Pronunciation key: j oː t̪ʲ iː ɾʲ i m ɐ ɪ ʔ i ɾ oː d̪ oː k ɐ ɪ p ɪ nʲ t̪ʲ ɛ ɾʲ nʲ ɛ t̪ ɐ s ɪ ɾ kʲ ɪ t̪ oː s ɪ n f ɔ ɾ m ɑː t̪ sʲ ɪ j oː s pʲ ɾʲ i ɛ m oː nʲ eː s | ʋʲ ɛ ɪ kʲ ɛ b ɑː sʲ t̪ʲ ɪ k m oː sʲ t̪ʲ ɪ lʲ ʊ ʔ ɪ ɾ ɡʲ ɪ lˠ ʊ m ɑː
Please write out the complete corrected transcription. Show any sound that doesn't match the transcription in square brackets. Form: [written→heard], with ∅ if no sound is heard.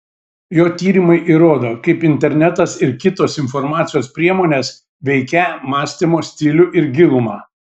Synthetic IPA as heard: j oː t̪ʲ iː ɾʲ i m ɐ ɪ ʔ i ɾ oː d̪ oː k ɐ ɪ p ɪ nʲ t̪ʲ ɛ ɾʲ nʲ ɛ t̪ ɐ s ɪ ɾ kʲ ɪ t̪ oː s ɪ n f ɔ ɾ m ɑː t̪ sʲ ɪ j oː s pʲ ɾʲ i ɛ m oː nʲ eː s | ʋʲ ɛ ɪ kʲ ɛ [b→m] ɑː sʲ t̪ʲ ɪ [k→∅] m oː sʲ t̪ʲ ɪ lʲ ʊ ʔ ɪ ɾ ɡʲ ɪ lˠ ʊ m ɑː